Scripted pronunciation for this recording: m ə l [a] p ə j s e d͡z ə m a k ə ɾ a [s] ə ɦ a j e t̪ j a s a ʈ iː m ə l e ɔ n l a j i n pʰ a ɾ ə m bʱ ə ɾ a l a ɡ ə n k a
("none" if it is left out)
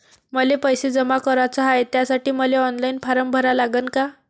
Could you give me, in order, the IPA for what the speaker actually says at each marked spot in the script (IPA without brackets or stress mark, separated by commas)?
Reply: e, t͡s